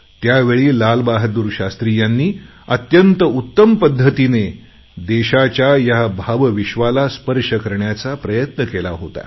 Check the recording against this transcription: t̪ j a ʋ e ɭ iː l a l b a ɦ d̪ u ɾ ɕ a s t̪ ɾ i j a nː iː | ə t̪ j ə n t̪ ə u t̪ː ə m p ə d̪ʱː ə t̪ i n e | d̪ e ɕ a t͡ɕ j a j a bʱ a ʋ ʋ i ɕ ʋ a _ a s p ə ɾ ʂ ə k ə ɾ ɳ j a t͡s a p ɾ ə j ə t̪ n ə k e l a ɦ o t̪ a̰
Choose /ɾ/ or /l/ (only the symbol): l